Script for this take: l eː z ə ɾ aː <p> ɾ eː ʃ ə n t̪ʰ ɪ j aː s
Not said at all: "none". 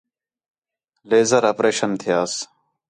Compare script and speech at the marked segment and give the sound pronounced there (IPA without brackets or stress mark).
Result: p